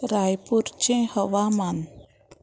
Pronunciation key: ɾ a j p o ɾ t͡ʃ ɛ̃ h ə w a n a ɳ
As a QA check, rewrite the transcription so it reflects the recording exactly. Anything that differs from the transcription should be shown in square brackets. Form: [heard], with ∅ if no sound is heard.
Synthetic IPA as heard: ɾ a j p [u] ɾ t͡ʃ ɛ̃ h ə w a [m] a [n]